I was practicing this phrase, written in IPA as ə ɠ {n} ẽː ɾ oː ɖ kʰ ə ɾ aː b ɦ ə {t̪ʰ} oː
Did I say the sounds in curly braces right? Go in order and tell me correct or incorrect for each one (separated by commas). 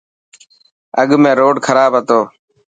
incorrect, incorrect